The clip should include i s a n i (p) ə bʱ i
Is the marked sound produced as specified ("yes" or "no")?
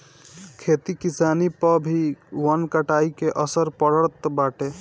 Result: yes